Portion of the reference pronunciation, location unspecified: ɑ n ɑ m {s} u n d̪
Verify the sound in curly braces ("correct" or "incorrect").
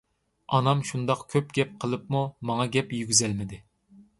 incorrect